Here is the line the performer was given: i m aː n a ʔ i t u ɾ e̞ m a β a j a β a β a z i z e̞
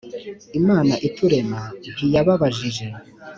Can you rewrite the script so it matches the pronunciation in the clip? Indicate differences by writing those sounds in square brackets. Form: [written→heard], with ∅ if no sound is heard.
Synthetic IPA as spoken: i m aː n a ʔ i t u ɾ e̞ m a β [a→i] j a β a β a [z→ʒ] i [z→ʒ] e̞